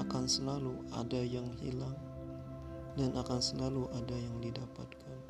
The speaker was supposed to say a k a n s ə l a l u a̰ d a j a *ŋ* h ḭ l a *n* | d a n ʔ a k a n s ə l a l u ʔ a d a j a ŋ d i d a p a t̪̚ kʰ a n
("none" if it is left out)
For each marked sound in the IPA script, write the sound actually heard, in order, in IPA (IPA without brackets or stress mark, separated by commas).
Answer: ŋ, ŋ